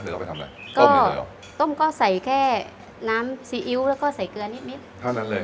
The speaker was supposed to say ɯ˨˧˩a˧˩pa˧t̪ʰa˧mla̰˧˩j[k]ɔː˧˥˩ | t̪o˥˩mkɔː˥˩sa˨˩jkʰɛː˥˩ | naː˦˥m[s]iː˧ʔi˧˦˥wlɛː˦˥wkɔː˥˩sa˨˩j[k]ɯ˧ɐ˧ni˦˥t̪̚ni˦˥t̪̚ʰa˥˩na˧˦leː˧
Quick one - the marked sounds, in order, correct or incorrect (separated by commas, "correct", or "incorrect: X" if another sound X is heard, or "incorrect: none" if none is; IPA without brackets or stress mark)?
correct, correct, correct